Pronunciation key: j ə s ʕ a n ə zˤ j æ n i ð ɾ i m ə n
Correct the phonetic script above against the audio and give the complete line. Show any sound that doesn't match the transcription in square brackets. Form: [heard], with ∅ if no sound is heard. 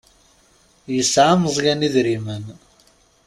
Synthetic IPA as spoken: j ə s ʕ a [m] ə zˤ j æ n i ð ɾ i m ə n

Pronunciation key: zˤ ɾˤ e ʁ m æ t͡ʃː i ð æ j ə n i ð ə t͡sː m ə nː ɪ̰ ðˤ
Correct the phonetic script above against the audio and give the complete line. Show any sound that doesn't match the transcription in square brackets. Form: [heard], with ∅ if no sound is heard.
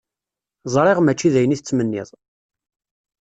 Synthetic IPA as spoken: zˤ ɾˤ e ʁ m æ t͡ʃː i ð æ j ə n i [θ] ə t͡sː m ə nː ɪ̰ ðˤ

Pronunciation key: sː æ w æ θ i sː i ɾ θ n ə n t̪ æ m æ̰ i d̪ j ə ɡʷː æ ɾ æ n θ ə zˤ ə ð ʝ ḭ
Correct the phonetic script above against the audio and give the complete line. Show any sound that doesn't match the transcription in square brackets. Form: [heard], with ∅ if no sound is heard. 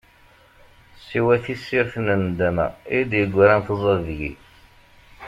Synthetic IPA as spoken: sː [i] w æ θ i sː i ɾ θ n ə n [d̪] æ m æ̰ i d̪ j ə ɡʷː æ ɾ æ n θ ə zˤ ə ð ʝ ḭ

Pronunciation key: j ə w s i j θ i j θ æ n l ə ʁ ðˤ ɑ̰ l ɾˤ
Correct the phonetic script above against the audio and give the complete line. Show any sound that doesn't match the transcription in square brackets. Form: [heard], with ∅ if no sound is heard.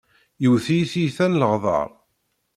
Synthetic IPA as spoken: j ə w [θ] i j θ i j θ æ n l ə ʁ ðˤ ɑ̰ [∅] ɾˤ

